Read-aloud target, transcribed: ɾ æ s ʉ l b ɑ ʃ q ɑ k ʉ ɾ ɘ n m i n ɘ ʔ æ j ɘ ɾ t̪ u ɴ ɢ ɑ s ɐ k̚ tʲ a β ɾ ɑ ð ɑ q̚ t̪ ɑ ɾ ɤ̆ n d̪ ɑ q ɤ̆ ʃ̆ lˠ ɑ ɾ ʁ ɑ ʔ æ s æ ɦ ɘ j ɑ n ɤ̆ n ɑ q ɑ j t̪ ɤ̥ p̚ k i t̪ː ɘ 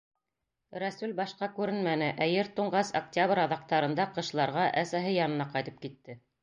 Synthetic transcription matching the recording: ɾ æ s ʉ l b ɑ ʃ q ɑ k ʉ ɾ ɘ n m æ n ɘ ʔ æ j ɘ ɾ t̪ u ɴ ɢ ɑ s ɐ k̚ tʲ a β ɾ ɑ ð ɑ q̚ t̪ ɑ ɾ ɤ̆ n d̪ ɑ q ɤ̆ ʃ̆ lˠ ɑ ɾ ʁ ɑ ʔ æ s æ ɦ ɘ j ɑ n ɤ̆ n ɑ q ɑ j t̪ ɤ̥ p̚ k i t̪ː ɘ

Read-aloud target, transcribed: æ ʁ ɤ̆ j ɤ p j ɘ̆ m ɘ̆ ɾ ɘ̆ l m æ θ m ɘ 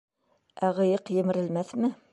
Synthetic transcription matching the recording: æ ʁ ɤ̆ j ɤ q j ɘ̆ m ɘ̆ ɾ ɘ̆ l m æ θ m ɘ

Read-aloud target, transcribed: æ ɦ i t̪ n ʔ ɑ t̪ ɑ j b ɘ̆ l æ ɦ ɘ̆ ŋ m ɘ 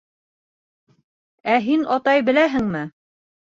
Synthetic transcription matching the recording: æ ɦ i n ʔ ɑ t̪ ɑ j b ɘ̆ l æ ɦ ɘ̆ ŋ m ɘ

